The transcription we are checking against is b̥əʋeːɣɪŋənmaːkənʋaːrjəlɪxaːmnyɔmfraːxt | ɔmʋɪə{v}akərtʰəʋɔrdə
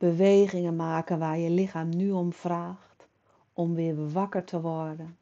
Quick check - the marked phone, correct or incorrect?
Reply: incorrect